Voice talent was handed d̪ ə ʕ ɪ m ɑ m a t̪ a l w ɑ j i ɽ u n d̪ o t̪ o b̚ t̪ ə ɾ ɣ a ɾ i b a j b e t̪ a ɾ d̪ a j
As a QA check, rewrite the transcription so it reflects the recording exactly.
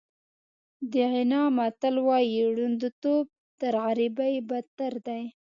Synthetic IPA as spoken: d̪ ə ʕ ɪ n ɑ m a t̪ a l w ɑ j i ɽ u n d̪ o t̪ o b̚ t̪ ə ɾ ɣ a ɾ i b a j b a t̪ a ɾ d̪ a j

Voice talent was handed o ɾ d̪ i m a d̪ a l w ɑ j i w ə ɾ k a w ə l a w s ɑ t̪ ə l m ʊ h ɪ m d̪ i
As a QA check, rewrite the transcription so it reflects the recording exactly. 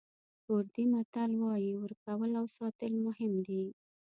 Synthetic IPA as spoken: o ɾ d̪ i m a t̪ a l w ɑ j i w ə ɾ k a w ə l a w s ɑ t̪ ə l m ʊ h ɪ m d̪ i

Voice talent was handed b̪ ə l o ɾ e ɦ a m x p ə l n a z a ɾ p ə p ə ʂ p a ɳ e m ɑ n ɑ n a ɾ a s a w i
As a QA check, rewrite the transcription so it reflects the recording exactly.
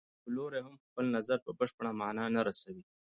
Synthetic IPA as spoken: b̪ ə l o ɾ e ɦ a m x p ə l n a z a ɾ p ə b ə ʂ p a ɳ a m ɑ n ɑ n a ɾ a s a w i

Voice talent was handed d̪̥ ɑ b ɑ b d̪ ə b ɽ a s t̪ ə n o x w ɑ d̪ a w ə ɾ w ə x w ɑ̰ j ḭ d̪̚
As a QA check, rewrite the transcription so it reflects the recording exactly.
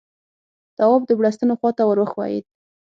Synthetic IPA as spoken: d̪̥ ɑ w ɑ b d̪ ə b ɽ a s t̪ ə n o x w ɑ t̪ a w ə ɾ w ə x w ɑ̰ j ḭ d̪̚

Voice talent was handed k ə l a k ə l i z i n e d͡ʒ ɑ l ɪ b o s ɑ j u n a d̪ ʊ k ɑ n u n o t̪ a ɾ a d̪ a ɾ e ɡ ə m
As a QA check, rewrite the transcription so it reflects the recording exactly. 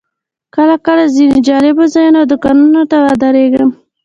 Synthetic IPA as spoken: k ə l a k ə l a z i n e d͡ʒ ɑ l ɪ b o z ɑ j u n a d̪ ʊ k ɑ n u n o t̪ a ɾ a d̪ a ɾ e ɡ ə m

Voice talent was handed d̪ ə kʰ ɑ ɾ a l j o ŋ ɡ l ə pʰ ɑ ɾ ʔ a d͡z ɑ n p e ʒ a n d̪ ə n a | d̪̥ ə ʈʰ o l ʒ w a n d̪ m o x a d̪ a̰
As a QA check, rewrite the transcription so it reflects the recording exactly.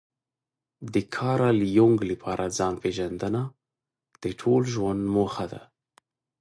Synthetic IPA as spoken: d̪ ə kʰ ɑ ɾ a l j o ŋ ɡ l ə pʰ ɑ ɾ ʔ a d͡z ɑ n p e ʒ a n d̪ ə n a | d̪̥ ə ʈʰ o l ʒ w a n d̪ m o x a d̪ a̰

